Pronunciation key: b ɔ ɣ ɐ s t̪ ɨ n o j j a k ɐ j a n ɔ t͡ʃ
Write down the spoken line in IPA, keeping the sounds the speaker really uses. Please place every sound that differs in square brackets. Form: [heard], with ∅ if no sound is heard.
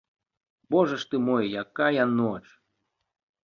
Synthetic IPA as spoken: b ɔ [ʐ] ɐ [ʂ] t̪ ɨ [m] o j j a k [a] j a n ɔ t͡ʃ